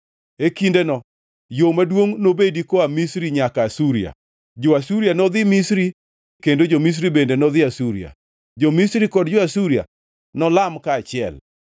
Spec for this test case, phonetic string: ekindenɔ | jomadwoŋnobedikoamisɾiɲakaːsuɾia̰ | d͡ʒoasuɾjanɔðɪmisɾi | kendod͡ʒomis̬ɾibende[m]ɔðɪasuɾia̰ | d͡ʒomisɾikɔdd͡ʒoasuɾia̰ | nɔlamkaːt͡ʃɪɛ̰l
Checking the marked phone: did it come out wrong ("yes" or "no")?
yes